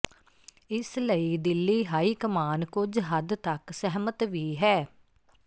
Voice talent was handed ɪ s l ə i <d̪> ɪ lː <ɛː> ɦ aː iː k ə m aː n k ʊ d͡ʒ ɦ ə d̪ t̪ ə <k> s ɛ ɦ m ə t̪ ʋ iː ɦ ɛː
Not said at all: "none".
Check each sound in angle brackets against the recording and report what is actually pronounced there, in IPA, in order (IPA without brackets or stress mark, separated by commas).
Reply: d̪, iː, k